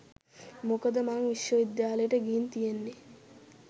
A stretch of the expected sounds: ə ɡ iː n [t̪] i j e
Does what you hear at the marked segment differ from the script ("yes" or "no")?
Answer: no